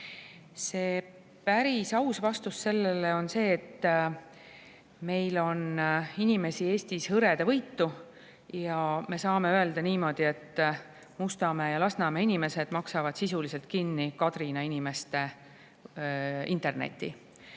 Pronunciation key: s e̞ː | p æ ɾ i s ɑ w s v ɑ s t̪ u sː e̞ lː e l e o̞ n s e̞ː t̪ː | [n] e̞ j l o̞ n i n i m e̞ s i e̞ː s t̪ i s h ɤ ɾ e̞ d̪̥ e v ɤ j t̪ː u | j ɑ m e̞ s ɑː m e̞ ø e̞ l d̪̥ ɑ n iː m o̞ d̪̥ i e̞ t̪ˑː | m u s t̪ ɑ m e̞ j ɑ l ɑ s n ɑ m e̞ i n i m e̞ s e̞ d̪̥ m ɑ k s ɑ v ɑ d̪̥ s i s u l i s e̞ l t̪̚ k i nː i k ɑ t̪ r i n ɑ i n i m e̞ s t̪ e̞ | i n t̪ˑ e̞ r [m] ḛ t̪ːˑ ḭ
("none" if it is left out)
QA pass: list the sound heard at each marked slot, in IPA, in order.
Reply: m, n

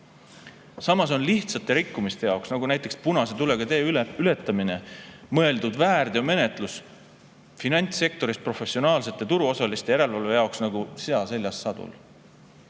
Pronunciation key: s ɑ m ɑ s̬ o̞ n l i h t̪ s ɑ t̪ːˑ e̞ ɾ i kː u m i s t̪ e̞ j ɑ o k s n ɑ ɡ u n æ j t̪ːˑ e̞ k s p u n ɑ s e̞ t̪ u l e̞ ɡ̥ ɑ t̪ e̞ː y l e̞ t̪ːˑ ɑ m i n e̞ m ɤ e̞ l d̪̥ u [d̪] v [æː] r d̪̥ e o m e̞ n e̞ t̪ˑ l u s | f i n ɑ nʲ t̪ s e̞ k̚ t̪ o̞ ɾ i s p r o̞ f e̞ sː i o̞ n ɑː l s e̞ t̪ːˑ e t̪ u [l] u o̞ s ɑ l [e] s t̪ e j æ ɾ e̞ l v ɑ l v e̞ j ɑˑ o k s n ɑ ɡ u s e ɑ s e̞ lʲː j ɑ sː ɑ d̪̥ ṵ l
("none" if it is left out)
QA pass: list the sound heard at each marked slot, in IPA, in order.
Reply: d̪, æː, ɾ, i

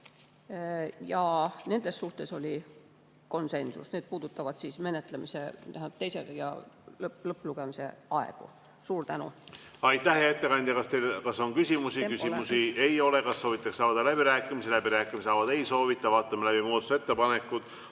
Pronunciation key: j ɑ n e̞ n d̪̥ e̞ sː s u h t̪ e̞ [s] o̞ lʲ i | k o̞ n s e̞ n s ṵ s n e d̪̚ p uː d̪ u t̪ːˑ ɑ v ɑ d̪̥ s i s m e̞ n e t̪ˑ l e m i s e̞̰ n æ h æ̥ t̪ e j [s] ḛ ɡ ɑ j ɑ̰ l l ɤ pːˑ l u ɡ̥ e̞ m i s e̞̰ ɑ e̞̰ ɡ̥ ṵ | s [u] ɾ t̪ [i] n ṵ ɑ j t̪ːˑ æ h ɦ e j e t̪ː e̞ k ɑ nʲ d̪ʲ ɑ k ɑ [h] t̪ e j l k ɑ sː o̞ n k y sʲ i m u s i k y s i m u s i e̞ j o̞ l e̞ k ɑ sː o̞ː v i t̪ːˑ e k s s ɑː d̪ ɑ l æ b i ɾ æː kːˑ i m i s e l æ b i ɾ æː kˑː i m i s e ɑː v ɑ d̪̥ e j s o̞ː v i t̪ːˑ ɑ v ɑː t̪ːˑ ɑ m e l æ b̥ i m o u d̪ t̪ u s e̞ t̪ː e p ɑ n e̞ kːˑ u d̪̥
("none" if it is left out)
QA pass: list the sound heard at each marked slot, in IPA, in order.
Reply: s, s, uː, æ, s

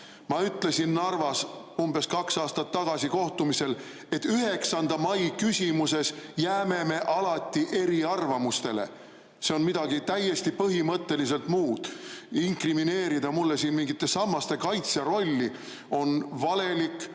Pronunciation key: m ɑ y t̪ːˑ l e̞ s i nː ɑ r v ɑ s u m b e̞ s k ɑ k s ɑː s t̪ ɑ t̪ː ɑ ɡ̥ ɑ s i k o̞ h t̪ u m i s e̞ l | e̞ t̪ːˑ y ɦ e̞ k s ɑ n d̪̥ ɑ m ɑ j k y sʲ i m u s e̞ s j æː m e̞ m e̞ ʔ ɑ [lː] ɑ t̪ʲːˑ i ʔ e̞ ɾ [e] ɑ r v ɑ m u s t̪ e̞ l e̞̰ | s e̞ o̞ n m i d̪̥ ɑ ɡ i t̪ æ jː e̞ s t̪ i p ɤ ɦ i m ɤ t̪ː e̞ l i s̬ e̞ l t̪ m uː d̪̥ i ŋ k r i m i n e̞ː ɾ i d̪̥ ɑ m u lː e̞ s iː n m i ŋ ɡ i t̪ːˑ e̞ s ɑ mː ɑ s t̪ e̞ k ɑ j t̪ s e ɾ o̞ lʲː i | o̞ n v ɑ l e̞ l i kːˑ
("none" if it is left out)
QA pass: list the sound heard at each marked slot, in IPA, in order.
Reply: l, i

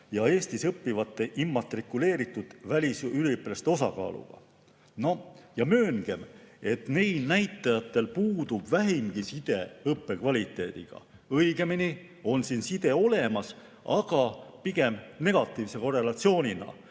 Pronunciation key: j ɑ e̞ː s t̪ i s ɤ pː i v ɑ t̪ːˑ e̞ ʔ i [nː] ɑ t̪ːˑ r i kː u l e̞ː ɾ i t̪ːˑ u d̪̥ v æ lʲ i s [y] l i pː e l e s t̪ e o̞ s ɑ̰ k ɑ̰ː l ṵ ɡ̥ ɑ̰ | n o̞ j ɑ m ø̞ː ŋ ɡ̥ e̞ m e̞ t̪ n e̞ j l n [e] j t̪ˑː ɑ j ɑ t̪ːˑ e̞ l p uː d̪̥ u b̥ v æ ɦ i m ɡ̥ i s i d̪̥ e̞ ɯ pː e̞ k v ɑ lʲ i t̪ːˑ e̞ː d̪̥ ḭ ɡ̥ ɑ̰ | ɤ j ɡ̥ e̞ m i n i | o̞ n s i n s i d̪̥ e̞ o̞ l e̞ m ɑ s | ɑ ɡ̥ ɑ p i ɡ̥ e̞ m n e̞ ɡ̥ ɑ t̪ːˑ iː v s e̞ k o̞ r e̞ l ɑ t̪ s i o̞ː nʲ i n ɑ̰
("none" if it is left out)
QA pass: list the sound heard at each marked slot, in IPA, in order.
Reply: mː, y, æ

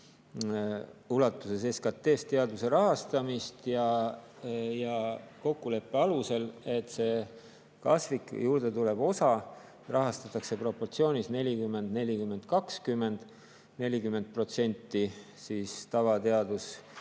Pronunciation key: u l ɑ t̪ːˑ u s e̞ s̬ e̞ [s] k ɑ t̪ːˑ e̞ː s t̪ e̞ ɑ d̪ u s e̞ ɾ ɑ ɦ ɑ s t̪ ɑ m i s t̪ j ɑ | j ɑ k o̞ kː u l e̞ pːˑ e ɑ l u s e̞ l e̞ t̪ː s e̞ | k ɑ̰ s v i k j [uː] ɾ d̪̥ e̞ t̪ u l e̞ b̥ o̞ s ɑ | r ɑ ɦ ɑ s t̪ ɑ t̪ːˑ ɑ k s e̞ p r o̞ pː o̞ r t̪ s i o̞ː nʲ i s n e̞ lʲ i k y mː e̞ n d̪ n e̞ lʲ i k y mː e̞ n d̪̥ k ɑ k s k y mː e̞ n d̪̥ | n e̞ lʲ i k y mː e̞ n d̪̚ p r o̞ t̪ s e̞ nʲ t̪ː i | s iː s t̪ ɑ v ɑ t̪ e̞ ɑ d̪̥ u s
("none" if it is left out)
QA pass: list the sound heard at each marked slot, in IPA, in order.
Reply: s, uː

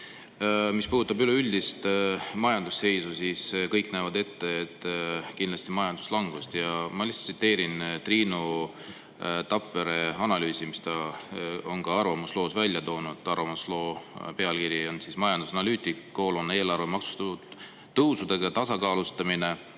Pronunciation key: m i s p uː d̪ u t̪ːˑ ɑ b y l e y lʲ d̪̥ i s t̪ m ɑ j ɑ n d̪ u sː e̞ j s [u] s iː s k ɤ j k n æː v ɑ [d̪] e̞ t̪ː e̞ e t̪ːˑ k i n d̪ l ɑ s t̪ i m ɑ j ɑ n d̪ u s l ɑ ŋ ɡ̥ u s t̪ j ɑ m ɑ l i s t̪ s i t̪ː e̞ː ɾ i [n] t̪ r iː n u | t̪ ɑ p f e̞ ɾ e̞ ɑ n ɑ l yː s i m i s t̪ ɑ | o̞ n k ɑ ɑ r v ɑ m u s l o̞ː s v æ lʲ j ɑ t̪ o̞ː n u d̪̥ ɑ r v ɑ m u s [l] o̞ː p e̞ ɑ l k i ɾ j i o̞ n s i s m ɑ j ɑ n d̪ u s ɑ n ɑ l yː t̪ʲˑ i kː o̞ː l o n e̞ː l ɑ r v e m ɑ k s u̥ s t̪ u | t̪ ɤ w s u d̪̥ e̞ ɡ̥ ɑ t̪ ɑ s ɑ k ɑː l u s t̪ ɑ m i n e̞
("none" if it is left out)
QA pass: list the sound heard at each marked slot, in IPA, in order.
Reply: u, d̪, n, l

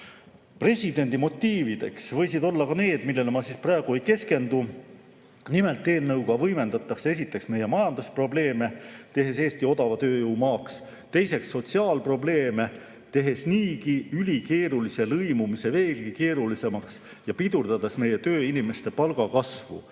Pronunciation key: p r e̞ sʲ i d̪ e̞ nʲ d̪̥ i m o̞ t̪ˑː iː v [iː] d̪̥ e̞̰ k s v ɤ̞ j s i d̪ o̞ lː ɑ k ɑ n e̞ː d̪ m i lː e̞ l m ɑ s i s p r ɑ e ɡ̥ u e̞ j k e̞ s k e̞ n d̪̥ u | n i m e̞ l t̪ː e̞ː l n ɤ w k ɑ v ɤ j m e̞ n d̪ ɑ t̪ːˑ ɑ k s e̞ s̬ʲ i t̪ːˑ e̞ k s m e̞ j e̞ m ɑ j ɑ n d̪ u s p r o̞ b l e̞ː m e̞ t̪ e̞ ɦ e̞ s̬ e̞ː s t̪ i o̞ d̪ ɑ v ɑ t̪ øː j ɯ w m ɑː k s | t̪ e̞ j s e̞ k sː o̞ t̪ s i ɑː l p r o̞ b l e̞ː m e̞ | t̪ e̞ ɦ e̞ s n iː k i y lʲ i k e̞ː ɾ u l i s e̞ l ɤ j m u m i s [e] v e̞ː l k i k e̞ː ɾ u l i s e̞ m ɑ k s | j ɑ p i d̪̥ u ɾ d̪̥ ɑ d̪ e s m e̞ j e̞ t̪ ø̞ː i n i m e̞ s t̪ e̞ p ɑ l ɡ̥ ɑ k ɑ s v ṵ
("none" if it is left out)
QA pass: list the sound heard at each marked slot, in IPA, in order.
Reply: i, e

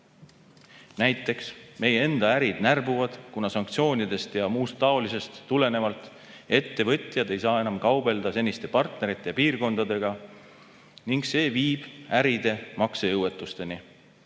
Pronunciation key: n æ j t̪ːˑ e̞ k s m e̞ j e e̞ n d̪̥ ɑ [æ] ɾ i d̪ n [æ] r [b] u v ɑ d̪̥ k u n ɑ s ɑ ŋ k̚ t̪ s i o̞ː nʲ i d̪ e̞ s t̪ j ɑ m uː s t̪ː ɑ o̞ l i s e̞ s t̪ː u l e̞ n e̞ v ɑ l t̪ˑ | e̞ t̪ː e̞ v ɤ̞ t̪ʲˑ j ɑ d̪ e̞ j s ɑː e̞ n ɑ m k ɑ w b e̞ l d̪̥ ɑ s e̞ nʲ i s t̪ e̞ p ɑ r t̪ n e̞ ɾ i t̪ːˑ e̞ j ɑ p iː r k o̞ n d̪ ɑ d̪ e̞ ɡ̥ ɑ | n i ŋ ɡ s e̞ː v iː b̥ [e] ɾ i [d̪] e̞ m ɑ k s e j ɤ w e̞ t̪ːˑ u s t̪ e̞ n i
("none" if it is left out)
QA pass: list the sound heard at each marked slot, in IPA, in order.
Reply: æ, æ, b, æ, d̪

